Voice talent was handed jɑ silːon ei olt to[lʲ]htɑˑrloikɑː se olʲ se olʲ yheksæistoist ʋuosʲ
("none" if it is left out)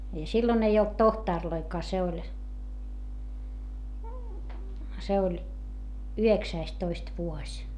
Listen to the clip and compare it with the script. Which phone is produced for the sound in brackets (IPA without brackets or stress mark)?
none